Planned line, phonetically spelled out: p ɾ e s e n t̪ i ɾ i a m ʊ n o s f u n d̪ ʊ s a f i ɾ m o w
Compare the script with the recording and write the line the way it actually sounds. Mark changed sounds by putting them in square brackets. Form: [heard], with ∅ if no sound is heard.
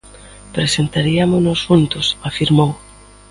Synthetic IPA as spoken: p ɾ e s e n t̪ [a] ɾ i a m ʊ n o s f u n [t̪] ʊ s a f i ɾ m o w